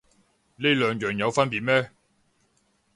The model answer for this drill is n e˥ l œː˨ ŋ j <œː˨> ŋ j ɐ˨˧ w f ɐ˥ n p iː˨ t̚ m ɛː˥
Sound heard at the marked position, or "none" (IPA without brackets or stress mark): œː˨